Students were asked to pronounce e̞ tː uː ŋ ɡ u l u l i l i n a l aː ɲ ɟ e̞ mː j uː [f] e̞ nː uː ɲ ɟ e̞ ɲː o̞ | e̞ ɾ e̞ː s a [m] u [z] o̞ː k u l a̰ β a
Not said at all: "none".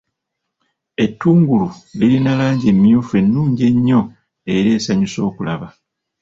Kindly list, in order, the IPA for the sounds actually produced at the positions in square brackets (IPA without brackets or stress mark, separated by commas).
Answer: f, ɲ, s